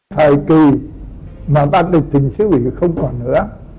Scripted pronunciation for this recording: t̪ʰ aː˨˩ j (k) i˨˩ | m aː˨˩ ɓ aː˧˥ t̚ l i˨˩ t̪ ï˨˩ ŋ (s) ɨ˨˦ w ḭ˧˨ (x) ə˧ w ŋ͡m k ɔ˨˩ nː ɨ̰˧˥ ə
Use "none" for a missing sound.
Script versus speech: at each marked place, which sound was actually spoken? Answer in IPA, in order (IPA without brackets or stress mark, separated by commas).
k, s, x